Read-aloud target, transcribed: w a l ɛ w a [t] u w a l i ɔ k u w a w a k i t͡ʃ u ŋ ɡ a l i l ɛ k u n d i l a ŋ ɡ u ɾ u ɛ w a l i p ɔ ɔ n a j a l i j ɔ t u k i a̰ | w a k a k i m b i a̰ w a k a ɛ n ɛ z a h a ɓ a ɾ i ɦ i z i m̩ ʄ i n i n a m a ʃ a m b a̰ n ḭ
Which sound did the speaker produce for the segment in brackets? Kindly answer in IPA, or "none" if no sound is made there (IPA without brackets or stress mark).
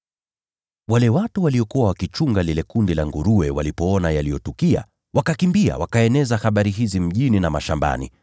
t